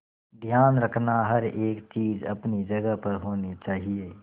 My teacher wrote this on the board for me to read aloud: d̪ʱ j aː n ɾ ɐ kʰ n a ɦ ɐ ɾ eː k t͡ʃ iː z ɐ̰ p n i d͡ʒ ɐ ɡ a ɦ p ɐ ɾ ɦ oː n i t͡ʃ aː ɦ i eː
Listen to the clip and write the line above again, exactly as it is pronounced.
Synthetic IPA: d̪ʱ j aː n ɾ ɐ kʰ n a ɦ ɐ ɾ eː k t͡ʃ iː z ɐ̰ p n i d͡ʒ ɐ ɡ ə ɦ p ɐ ɾ ɦ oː n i t͡ʃ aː ɦ i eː

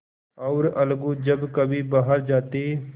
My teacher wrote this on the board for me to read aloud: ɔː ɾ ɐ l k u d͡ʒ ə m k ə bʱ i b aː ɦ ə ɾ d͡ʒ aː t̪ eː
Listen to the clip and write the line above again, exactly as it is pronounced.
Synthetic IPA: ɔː ɾ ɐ l ɡ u d͡ʒ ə b k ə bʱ i b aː ɦ ə ɾ d͡ʒ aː t̪ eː

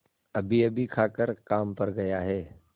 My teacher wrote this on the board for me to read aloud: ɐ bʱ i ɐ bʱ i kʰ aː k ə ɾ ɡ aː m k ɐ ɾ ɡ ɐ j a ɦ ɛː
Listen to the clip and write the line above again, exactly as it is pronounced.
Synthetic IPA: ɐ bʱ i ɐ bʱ i kʰ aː k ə ɾ k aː m p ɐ ɾ ɡ ɐ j a ɦ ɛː

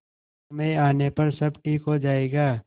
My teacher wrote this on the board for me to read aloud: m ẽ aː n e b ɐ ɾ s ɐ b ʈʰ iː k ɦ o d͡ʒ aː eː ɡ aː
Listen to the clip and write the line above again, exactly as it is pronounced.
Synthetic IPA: m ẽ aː n e p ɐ ɾ s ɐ b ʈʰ iː k ɦ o d͡ʒ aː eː ɡ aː

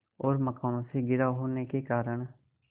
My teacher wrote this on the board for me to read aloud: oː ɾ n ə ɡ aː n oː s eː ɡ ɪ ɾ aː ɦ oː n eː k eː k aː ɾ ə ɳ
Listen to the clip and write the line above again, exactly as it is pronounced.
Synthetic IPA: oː ɾ m ə k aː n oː s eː ɡ ɪ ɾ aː ɦ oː n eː k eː k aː ɾ ə ɳ

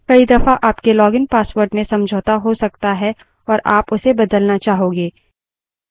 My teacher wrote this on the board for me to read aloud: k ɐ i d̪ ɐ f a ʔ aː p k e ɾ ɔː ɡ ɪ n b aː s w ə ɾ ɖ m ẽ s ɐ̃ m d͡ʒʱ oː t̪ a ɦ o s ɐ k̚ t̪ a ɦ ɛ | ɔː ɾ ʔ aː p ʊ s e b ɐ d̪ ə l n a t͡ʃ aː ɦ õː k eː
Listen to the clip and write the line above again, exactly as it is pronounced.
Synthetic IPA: k ɐ i d̪ ɐ f a ʔ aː p k e l ɔː ɡ ɪ n p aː s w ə ɾ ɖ m ẽ s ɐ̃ m d͡ʒʱ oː t̪ a ɦ o s ɐ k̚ t̪ a ɦ ɛ | ɔː ɾ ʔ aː p ʊ s e b ɐ d̪ ə l n a t͡ʃ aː ɦ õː ɡ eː

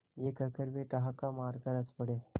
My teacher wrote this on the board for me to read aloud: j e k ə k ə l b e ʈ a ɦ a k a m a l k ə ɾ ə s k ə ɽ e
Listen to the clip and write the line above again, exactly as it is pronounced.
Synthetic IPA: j e k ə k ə ɾ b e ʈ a ɦ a k a m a ɾ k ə ɾ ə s p ə ɽ e

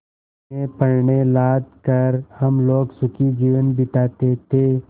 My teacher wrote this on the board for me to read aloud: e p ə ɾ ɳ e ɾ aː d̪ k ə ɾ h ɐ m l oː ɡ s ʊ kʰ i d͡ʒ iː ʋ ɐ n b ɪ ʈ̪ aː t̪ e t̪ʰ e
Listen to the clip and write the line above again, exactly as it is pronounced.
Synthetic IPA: e p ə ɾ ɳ e l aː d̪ k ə ɾ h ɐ m l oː ɡ s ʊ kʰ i d͡ʒ iː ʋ ə n b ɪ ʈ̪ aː t̪ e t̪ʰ e

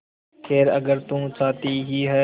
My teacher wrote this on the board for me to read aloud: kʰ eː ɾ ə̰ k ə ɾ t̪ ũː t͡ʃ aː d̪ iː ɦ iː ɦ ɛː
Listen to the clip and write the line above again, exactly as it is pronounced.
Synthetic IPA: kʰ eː ɾ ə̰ ɡ ə ɾ t̪ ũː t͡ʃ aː t̪ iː ɦ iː ɦ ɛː

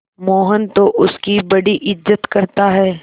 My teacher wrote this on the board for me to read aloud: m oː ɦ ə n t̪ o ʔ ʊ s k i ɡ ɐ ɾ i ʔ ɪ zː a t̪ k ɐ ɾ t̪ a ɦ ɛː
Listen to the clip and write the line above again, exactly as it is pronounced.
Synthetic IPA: m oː ɦ ə n t̪ o ʔ ʊ s k i b ɐ ɽ i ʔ ɪ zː ə t̪ k ɐ ɾ t̪ a ɦ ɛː

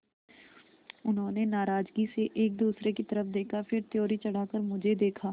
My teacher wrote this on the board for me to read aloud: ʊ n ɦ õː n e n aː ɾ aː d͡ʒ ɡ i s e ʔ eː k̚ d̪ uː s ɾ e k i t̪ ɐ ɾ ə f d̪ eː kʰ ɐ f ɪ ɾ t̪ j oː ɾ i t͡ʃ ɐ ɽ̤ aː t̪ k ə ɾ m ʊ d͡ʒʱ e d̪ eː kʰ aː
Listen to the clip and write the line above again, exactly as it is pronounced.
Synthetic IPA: ʊ n ɦ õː n e n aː ɾ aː d͡ʒ ɡ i s e ʔ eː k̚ d̪ uː s ɾ e k i t̪ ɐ ɾ ə f d̪ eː kʰ a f ɪ ɾ t̪ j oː ɾ i t͡ʃ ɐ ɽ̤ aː k ə ɾ m ʊ d͡ʒʱ e d̪ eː kʰ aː

